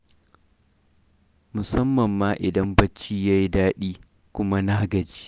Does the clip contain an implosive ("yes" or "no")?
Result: yes